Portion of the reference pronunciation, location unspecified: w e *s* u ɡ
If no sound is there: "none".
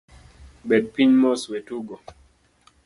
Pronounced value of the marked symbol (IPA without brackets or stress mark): t